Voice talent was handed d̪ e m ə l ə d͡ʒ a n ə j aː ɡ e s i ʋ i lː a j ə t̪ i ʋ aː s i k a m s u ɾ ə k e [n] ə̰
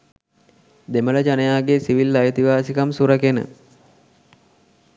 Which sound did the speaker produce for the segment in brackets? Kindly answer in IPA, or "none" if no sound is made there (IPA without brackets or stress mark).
n